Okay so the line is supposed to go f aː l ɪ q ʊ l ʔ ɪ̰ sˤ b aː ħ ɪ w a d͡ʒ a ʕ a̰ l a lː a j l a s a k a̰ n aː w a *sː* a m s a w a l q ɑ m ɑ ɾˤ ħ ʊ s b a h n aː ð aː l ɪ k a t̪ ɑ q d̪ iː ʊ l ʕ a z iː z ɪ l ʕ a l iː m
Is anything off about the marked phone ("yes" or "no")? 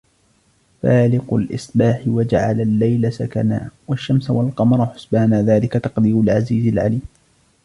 yes